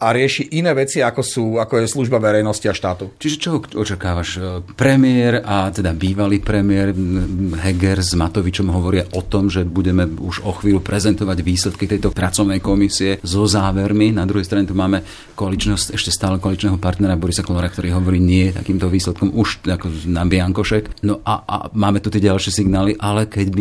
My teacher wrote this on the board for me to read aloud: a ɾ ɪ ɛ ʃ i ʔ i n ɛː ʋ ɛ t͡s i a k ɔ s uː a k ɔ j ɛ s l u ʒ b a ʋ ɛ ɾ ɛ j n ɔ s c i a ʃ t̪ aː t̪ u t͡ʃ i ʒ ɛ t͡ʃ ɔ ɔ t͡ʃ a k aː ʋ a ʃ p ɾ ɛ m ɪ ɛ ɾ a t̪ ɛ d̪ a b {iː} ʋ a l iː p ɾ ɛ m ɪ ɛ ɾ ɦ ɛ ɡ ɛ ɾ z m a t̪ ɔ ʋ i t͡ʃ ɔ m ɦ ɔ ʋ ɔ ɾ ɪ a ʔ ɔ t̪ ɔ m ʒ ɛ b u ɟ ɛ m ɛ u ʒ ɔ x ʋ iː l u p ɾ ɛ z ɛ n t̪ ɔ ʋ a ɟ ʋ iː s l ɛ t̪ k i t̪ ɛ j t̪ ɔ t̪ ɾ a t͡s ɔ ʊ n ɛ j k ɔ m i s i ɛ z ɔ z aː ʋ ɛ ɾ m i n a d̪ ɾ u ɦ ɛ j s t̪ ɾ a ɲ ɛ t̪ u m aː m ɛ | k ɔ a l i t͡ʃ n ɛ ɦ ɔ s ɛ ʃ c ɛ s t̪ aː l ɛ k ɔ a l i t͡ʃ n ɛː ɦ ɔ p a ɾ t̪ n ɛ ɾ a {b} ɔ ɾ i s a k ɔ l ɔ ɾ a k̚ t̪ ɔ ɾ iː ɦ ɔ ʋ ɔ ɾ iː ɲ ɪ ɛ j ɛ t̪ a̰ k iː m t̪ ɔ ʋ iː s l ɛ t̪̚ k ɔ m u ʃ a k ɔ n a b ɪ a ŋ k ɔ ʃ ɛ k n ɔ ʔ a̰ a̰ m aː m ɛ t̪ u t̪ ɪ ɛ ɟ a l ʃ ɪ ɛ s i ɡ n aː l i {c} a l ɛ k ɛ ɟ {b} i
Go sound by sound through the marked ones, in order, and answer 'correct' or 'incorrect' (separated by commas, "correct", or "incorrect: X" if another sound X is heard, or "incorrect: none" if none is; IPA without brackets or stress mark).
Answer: correct, correct, incorrect: ʔ, correct